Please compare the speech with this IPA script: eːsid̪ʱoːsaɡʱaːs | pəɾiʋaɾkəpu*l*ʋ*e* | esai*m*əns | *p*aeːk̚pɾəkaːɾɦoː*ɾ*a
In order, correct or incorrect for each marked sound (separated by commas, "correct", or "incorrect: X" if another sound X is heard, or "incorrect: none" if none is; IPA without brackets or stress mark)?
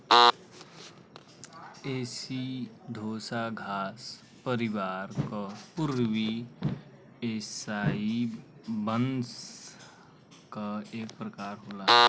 incorrect: ɾ, incorrect: i, incorrect: b, incorrect: k, incorrect: l